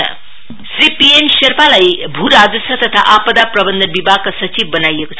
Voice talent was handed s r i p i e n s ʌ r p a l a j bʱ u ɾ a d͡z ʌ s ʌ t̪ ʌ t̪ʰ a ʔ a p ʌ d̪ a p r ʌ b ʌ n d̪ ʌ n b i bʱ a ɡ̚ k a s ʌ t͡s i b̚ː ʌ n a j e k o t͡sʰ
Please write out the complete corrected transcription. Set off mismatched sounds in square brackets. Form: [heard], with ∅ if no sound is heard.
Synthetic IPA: s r i p i e n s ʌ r p a l a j bʱ u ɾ a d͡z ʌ s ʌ t̪ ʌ t̪ʰ a ʔ a p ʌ d̪ a p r ʌ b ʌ n d̪ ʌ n b i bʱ a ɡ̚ k a s ʌ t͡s i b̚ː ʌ n a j e k o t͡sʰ

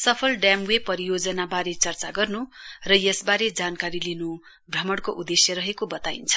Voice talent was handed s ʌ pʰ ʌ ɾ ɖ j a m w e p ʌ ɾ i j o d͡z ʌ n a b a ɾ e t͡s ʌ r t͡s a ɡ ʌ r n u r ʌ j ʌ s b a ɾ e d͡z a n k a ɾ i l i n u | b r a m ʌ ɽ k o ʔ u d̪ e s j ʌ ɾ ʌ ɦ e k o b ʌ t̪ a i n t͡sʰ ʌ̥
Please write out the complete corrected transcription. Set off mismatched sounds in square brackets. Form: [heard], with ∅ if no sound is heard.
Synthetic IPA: s ʌ pʰ ʌ [l] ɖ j a m w e p ʌ ɾ i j o d͡z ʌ n a b a ɾ e t͡s ʌ r t͡s a ɡ ʌ r n u r ʌ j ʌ s b a ɾ e d͡z a n k a ɾ i l i n u | b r [ʌ] m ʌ ɽ k o ʔ u d̪ e s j ʌ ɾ ʌ ɦ e k o b ʌ t̪ a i n t͡sʰ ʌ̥

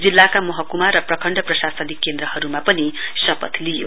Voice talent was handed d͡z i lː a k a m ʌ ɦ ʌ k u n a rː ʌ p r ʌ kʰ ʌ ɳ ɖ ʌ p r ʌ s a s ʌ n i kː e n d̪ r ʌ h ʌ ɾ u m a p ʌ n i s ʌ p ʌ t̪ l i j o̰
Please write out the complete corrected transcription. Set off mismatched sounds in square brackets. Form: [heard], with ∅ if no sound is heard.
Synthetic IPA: d͡z i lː a k a m ʌ ɦ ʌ k u [m] a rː ʌ p r ʌ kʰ ʌ ɳ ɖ ʌ p r ʌ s a s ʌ n i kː e n d̪ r ʌ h ʌ ɾ u m a p ʌ n i s ʌ p ʌ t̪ l i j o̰

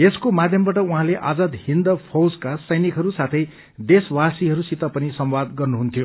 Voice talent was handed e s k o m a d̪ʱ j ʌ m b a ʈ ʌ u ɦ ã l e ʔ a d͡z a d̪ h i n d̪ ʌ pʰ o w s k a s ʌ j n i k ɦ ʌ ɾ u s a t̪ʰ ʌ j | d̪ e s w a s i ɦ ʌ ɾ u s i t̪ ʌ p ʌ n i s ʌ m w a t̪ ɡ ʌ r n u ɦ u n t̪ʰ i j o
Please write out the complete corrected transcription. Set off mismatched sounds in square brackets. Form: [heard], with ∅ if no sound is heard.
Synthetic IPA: e s k o m a d̪ʱ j ʌ m b a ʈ ʌ u ɦ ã l e ʔ a d͡z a d̪ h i n d̪ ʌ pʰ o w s k a s ʌ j n i k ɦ ʌ ɾ u s a t̪ʰ ʌ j | d̪ e s w a s i ɦ ʌ ɾ u s i t̪ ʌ p ʌ n i s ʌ m w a [d̪] ɡ ʌ r n u ɦ u n t̪ʰ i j o

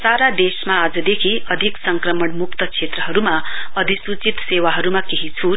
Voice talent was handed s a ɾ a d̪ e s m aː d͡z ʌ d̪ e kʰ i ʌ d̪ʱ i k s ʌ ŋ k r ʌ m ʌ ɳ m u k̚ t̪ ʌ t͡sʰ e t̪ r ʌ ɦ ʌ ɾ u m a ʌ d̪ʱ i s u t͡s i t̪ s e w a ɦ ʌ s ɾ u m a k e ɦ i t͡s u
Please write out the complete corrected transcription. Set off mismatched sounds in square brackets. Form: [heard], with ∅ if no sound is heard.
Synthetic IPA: s a ɾ a d̪ e s m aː d͡z ʌ d̪ e kʰ i ʌ d̪ʱ i k s ʌ ŋ k r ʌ m ʌ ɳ m u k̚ t̪ ʌ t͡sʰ e t̪ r ʌ ɦ ʌ ɾ u m a ʌ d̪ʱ i s u t͡s i t̪ s e w a ɦ ʌ [∅] ɾ u m a k e ɦ i [t͡sʰ] u

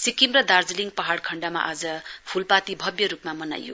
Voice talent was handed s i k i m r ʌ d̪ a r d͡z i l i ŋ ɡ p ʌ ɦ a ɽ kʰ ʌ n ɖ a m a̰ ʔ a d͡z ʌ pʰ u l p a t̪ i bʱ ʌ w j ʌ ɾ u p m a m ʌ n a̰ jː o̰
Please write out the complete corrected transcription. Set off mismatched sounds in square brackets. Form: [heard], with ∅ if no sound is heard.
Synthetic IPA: s i k i m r ʌ d̪ a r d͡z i l i ŋ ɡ p ʌ ɦ a ɽ kʰ ʌ [ɳ] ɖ a m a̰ ʔ a d͡z ʌ pʰ u l p a t̪ i bʱ ʌ [b] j ʌ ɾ u p m a m ʌ n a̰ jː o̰

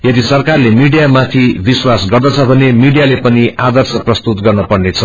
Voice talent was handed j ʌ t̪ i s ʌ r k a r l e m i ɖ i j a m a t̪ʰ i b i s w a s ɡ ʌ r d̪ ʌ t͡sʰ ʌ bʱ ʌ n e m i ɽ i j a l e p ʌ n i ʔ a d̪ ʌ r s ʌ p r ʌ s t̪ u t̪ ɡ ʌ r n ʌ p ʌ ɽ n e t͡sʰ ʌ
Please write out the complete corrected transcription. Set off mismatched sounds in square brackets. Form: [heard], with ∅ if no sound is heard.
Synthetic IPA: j ʌ [d̪] i s ʌ r k a r l e m i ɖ i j a m a t̪ʰ i b i s w a s ɡ ʌ r d̪ ʌ t͡sʰ ʌ bʱ ʌ n e m i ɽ i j a l e p ʌ n i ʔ a d̪ ʌ r s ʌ p r ʌ s t̪ u t̪ ɡ ʌ r n ʌ p ʌ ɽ n e t͡sʰ ʌ

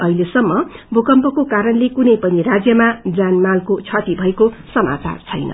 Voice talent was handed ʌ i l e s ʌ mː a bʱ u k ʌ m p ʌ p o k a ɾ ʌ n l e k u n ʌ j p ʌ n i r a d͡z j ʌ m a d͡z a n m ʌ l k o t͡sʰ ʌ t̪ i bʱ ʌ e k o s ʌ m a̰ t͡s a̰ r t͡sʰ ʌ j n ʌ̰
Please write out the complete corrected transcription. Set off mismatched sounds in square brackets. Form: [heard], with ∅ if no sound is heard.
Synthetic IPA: ʌ i l e s ʌ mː [ʌ] bʱ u k ʌ m p ʌ [k] o k a ɾ ʌ n l e k u n ʌ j p ʌ n i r a d͡z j ʌ m a d͡z a n m [a] l k o t͡sʰ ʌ t̪ i bʱ ʌ e k o s ʌ m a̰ t͡s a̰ r t͡sʰ ʌ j n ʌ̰

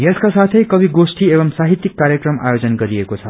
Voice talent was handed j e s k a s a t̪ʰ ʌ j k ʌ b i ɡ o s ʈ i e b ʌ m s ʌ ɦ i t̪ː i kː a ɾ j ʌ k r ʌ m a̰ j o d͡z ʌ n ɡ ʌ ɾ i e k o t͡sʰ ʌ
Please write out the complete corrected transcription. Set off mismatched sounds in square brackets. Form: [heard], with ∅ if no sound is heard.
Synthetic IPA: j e s k a s a t̪ʰ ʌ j k ʌ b i ɡ o s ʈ i e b ʌ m s [a] ɦ i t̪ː i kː a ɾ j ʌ k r ʌ m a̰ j o d͡z ʌ n ɡ ʌ ɾ i e k o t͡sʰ ʌ

